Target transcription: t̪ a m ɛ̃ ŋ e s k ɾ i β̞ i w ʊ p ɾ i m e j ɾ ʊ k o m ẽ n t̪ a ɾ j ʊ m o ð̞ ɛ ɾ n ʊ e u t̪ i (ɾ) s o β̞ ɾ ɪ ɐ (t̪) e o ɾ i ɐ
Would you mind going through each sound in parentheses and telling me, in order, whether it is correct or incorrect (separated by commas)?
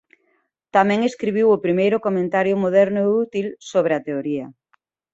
incorrect, correct